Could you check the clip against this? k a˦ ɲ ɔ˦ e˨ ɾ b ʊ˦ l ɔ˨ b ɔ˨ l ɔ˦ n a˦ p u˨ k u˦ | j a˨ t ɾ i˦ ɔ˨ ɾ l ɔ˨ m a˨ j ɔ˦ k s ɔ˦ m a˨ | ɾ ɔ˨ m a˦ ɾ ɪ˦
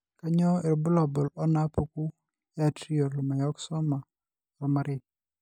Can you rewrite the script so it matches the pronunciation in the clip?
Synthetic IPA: k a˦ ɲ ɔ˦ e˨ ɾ b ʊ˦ l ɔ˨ b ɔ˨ l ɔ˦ n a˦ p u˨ k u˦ | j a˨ t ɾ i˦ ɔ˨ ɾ l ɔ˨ m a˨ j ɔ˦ k s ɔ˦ m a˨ | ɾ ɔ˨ m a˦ ɾ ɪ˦

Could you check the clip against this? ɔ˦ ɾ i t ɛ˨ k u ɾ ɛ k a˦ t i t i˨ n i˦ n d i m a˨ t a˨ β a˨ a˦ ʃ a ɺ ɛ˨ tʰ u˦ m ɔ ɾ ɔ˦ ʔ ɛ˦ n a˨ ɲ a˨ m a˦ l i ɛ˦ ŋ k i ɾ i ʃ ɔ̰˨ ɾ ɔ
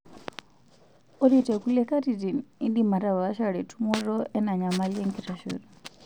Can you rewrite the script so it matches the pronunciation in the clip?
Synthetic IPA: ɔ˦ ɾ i t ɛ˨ k u l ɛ k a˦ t i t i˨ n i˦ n d i m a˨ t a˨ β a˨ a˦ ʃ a ɺ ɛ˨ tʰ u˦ m ɔ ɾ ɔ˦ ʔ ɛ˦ n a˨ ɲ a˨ m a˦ l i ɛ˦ ŋ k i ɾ a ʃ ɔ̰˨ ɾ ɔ

